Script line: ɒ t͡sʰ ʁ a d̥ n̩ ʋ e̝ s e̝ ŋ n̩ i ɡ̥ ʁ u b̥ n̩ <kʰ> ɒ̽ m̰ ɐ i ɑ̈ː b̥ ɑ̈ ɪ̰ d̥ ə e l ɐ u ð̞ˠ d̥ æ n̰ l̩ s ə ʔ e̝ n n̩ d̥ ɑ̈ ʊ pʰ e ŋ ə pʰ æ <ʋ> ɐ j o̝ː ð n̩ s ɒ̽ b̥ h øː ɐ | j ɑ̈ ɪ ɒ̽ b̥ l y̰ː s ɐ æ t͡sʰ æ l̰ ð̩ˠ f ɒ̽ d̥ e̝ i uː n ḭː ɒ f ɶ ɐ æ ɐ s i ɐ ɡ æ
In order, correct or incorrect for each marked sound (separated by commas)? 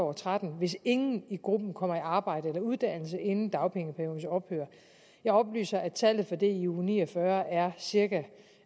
correct, incorrect